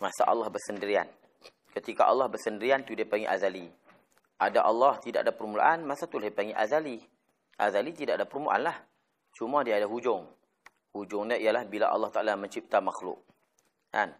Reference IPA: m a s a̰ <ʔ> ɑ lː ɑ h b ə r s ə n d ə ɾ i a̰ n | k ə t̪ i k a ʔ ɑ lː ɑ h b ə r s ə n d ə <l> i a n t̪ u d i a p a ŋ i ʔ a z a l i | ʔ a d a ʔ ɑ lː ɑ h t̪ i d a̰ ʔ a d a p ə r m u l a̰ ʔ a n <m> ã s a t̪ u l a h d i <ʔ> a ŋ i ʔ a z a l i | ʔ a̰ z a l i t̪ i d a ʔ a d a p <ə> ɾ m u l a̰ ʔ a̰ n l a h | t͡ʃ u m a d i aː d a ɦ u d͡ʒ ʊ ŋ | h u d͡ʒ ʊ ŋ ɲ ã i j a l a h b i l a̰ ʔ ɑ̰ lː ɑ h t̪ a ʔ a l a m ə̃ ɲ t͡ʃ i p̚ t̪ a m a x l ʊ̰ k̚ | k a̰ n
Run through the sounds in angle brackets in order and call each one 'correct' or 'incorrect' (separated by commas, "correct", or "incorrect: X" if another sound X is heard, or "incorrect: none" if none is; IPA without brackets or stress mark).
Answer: correct, incorrect: ɾ, correct, incorrect: p, correct